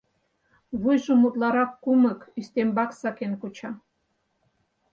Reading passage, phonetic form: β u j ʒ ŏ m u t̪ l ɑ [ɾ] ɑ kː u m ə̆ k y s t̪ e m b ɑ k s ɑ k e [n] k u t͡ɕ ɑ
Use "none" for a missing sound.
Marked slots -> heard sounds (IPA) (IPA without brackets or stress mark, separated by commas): ɾ, n